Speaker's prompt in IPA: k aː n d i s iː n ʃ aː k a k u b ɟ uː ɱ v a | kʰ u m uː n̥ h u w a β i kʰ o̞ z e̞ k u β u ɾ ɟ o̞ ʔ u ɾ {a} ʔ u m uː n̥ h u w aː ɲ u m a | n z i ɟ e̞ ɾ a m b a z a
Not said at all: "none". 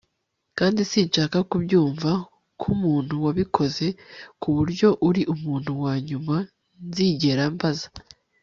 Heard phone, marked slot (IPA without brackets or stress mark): i